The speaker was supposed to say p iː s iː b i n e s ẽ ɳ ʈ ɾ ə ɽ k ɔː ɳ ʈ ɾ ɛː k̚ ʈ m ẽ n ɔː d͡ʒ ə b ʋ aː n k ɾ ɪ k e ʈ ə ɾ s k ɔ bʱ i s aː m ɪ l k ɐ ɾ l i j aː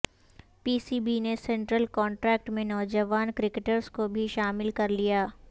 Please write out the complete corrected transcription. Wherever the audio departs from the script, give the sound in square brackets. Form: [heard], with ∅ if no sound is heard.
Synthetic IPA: p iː s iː b i n e s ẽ ɳ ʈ ɾ ə [l] k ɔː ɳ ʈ ɾ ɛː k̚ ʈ m ẽ n ɔː d͡ʒ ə [∅] ʋ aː n k ɾ ɪ k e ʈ ə ɾ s k [o] bʱ i [ʃ] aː m ɪ l k ɐ ɾ l i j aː